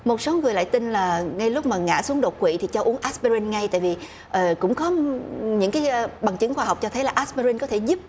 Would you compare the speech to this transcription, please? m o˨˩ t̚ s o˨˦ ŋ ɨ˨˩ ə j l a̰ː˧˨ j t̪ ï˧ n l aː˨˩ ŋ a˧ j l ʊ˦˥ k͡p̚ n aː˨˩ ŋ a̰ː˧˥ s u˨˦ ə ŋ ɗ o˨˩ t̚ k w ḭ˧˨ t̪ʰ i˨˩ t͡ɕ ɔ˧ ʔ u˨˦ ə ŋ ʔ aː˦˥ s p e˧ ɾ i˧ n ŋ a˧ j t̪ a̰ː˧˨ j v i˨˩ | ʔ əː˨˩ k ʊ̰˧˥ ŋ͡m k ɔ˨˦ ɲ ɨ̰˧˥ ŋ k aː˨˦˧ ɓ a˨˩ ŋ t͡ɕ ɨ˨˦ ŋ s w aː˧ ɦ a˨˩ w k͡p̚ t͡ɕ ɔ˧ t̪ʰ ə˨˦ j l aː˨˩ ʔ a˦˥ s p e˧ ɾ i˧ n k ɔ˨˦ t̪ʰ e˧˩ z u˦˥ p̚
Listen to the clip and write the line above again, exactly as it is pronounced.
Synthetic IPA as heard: m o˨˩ t̚ s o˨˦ ŋ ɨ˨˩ ə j l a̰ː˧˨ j t̪ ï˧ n l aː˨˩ ŋ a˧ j l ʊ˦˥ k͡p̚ m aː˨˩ ŋ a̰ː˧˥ s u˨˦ ə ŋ ɗ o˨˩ t̚ k w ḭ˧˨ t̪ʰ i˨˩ t͡ɕ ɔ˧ ʔ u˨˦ ə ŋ ʔ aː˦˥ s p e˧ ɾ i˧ n ŋ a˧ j t̪ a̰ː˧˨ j v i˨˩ | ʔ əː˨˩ k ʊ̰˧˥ ŋ͡m k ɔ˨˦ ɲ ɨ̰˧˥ ŋ k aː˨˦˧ ɓ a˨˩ ŋ t͡ɕ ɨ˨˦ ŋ x w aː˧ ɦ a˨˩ w k͡p̚ t͡ɕ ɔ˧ t̪ʰ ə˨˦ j l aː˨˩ ʔ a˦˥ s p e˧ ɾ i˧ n k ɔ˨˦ t̪ʰ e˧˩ z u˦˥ p̚